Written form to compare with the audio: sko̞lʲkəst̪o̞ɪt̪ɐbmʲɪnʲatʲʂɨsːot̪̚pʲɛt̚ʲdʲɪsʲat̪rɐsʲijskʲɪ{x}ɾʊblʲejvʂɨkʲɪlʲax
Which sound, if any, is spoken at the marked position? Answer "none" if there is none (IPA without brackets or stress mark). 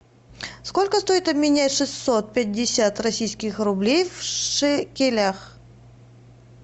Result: x